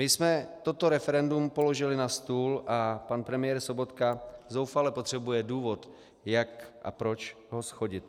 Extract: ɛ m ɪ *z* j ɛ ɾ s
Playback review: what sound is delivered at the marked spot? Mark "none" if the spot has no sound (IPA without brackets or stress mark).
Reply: none